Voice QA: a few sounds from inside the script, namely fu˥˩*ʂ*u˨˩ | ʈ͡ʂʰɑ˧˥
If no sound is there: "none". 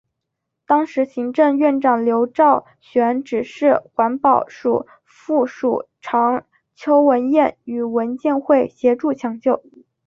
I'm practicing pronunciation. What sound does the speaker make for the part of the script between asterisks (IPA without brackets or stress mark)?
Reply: ʂ